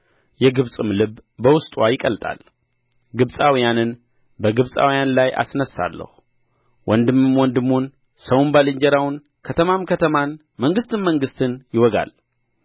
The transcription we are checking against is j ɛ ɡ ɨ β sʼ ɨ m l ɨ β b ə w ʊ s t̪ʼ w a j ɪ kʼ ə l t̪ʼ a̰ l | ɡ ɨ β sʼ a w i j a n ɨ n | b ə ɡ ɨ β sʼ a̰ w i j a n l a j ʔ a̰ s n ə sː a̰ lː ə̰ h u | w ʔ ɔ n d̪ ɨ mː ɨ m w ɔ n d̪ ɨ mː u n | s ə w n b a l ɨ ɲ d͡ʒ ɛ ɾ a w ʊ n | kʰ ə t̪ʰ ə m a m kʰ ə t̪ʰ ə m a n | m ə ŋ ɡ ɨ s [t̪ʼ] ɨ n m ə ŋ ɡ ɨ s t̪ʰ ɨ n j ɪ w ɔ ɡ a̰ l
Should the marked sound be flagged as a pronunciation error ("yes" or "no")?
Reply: yes